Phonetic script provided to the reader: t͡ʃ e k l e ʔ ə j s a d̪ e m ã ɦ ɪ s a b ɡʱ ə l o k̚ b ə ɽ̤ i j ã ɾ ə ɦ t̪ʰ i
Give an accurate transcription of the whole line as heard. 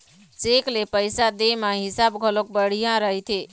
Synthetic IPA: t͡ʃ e k l e p ə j s a d̪ e m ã ɦ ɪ s a b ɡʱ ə l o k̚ b ə ɽ̤ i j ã ɾ ə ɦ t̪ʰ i